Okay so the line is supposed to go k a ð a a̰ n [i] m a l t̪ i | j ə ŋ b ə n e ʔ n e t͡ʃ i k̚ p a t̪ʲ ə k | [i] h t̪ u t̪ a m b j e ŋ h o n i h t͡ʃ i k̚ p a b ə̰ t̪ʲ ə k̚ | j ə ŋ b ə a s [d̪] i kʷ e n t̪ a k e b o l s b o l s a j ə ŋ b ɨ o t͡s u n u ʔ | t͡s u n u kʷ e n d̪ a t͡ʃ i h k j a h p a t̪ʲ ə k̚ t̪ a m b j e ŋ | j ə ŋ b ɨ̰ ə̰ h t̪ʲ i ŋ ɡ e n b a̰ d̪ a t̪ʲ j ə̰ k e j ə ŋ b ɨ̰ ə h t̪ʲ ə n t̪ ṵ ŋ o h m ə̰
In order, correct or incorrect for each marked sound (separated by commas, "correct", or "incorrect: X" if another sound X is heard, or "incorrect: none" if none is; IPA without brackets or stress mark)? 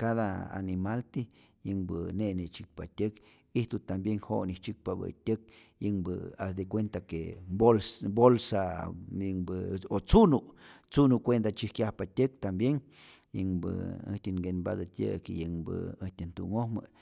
correct, correct, correct